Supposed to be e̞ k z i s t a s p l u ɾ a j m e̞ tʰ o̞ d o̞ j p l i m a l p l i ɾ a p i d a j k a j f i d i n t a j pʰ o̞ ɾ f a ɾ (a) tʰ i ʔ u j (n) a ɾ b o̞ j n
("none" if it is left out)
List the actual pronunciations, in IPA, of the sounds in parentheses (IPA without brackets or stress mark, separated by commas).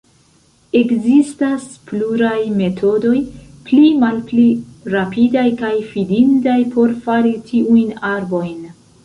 i, n